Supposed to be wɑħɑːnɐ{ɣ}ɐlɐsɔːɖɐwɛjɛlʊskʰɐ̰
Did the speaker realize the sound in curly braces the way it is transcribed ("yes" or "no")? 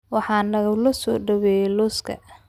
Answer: yes